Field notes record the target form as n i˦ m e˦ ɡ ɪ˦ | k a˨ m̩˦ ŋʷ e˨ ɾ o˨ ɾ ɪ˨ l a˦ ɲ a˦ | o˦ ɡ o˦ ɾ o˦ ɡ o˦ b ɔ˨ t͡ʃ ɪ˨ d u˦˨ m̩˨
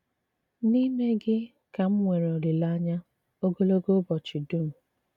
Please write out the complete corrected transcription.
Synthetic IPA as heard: n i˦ m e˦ ɡ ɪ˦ | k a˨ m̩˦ ŋʷ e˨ ɾ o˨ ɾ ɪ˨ l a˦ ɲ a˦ | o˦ ɡ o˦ l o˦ ɡ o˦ b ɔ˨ t͡ʃ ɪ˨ d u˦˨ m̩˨